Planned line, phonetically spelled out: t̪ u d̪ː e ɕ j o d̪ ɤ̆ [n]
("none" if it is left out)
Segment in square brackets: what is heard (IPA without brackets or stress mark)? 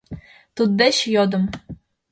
m